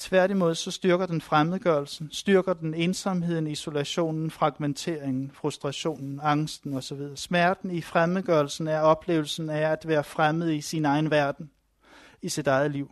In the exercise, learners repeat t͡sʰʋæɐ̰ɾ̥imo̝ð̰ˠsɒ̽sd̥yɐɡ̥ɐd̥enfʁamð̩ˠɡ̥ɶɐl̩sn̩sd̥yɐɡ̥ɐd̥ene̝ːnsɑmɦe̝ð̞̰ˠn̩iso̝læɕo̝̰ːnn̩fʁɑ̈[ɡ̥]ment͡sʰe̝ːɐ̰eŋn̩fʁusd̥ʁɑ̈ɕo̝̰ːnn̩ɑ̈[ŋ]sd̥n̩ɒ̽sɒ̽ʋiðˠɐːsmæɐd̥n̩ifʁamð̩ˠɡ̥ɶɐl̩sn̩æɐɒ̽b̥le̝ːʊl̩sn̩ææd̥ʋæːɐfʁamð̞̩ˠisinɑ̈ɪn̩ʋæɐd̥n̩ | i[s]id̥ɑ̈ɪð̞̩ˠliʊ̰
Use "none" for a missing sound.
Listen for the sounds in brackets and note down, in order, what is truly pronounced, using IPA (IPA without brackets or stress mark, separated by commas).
ɡ̥, ŋ, s